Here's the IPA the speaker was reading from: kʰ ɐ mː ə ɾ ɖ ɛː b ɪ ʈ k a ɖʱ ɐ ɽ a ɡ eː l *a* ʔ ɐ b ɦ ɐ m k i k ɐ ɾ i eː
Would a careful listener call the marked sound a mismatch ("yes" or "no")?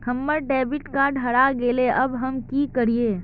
yes